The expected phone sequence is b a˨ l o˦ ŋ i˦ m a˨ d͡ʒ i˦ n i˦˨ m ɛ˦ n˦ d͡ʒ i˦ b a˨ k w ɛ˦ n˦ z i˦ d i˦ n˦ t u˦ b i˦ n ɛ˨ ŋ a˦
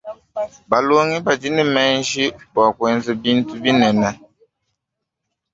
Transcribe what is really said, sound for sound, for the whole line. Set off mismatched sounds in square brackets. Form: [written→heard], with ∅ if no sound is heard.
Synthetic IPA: b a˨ l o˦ ŋ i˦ [m→b] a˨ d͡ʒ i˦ n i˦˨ m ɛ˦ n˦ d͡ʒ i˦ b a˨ k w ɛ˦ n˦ z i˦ [d→b] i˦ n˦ t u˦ b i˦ n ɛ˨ [ŋ→n] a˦